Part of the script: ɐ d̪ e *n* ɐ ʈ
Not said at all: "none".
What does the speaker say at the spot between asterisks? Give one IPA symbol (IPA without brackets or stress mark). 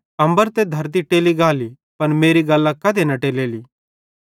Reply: n